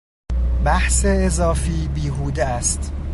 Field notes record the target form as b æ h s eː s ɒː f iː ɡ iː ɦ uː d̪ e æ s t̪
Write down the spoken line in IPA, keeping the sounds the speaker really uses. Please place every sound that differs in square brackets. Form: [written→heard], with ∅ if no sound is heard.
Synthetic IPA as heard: b æ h s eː [s→z] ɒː f iː [ɡ→b] iː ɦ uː d̪ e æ s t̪